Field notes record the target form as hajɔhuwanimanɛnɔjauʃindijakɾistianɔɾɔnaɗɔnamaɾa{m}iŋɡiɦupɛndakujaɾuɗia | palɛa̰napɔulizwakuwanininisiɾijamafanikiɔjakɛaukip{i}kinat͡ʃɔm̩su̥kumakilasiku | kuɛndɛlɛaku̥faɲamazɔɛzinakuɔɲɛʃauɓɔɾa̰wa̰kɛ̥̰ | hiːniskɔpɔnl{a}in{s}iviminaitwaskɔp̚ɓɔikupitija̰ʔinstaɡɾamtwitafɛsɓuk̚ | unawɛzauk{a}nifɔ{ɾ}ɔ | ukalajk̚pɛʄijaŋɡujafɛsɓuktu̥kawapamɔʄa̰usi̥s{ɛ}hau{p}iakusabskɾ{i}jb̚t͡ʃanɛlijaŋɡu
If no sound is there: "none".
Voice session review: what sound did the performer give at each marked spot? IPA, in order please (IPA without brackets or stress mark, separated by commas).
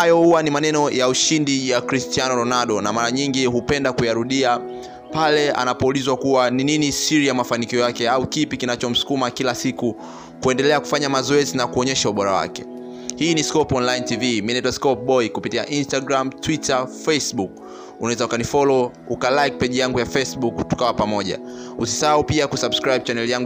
ɲ, i, a, t, a, l, a, p, a